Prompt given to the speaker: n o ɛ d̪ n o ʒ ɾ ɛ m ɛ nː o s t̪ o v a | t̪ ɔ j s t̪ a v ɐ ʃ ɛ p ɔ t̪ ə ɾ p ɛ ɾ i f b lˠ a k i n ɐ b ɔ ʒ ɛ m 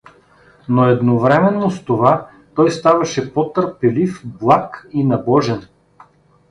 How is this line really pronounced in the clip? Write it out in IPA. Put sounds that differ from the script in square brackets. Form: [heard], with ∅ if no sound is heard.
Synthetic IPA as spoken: n o ɛ d̪ n o [v] ɾ ɛ m ɛ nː o s t̪ o v a | t̪ ɔ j s t̪ a v ɐ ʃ ɛ p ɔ t̪ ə ɾ p ɛ [l] i f b lˠ a k i n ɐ b ɔ ʒ ɛ [n]